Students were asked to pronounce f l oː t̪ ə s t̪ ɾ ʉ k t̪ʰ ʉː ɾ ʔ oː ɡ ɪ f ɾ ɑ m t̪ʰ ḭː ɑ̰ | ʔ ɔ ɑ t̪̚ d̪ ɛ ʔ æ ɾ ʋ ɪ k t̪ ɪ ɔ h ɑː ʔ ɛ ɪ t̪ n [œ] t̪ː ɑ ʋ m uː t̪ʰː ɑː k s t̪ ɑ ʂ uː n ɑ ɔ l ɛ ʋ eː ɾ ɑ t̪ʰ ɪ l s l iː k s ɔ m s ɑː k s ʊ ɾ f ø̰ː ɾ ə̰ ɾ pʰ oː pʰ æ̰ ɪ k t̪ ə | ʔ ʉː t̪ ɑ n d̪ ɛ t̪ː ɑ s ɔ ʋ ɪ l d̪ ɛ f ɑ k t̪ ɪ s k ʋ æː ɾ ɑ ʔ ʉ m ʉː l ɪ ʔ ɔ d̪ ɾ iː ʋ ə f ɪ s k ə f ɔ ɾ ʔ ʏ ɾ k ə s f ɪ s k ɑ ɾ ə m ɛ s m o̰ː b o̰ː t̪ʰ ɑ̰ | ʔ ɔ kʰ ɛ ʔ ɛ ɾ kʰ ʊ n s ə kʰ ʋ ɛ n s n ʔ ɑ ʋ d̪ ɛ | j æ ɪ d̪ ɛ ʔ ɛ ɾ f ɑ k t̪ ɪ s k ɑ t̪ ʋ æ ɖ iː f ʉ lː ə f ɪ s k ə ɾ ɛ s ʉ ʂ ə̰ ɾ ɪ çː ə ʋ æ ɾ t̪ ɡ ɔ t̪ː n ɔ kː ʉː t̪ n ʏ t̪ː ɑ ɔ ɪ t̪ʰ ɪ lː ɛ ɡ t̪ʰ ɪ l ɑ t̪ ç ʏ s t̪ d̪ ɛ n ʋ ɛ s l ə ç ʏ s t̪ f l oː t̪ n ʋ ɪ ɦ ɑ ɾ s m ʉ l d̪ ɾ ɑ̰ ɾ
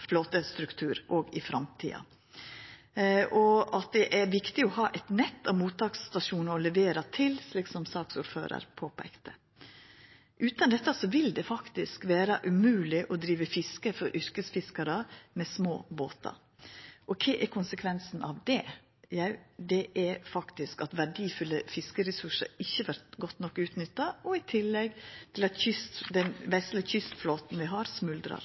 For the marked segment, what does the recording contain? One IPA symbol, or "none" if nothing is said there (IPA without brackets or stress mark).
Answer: ɛ